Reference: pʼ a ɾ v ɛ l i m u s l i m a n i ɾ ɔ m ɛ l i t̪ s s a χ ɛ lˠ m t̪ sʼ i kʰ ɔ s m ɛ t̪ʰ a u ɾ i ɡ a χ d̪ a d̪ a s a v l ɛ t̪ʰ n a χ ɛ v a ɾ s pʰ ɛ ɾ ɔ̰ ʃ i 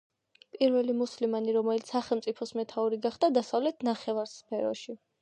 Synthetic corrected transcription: pʼ i ɾ v ɛ l i m u s l i m a n i ɾ ɔ m ɛ l i t̪ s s a χ ɛ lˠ m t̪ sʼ i pʰ ɔ s m ɛ t̪ʰ a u ɾ i ɡ a χ d̪ a d̪ a s a v l ɛ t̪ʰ n a χ ɛ v a ɾ s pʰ ɛ ɾ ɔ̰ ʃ i